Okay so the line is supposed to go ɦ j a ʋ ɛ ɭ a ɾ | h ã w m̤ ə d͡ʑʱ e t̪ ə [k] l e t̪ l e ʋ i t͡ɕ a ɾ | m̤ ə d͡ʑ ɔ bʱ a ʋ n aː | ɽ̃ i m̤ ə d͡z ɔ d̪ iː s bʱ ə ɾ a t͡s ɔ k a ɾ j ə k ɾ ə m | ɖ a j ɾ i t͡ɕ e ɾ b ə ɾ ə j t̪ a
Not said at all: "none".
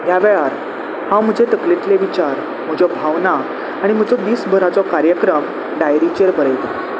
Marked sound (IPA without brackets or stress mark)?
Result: k